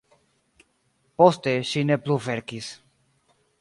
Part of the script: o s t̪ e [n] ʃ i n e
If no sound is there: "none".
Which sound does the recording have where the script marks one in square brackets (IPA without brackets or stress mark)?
none